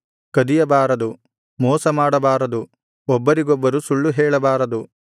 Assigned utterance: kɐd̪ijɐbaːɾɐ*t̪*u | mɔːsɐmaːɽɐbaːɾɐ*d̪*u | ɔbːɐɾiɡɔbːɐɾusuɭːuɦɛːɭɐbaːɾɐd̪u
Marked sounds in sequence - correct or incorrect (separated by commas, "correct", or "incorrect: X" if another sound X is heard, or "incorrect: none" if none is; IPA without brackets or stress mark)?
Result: incorrect: d̪, correct